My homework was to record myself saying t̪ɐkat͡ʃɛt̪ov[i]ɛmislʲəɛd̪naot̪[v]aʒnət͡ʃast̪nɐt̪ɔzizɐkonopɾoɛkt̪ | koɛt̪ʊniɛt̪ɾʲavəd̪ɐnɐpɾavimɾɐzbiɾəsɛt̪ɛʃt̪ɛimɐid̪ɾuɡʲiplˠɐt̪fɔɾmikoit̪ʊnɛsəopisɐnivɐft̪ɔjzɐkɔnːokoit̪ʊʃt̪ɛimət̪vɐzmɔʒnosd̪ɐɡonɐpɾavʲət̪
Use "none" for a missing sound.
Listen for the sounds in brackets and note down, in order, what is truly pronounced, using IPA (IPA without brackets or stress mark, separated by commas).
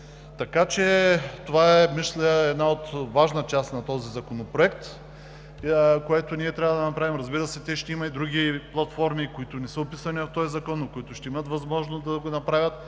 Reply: a, v